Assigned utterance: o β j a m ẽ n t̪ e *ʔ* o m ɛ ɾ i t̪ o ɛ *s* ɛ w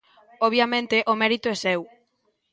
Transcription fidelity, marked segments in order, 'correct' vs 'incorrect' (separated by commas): correct, correct